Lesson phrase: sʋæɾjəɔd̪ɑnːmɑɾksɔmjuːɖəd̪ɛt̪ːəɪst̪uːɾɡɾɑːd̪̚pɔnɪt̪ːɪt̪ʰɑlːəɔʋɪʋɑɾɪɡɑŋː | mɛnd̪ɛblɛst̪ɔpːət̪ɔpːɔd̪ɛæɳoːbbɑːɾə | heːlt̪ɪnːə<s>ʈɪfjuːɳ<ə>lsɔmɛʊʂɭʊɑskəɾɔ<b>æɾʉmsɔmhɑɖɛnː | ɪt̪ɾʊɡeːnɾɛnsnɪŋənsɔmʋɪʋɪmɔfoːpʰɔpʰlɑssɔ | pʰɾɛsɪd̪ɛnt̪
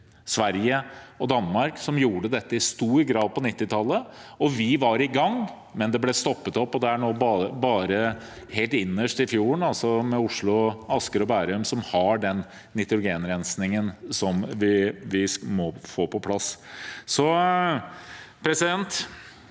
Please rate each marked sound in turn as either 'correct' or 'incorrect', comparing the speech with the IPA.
incorrect, incorrect, correct

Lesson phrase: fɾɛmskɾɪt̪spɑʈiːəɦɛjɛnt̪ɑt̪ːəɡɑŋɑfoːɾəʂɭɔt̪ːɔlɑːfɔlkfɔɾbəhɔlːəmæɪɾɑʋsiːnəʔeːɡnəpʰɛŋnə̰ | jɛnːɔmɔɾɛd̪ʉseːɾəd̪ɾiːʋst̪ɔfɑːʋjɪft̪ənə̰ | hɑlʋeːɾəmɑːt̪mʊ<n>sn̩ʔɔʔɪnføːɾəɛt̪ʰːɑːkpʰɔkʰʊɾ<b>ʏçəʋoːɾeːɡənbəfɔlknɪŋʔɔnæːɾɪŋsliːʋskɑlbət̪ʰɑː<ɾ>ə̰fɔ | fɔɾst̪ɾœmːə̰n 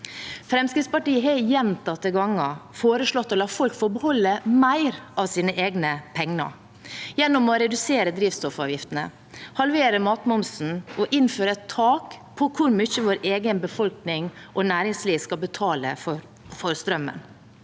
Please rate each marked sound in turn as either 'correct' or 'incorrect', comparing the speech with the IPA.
incorrect, incorrect, incorrect

